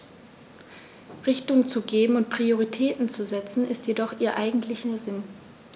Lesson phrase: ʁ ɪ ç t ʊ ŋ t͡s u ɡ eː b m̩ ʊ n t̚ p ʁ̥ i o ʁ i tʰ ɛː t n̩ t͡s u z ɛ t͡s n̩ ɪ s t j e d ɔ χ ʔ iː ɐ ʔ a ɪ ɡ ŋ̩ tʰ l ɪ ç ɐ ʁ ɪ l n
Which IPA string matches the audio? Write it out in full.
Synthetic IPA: ʁ ɪ ç t ʊ ŋ t͡s u ɡ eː b m̩ ʊ n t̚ p ʁ̥ i o ʁ i tʰ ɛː t n̩ t͡s u z ɛ t͡s n̩ ɪ s t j e d ɔ χ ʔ iː ɐ ʔ a ɪ ɡ ŋ̩ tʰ l ɪ ç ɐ z ɪ n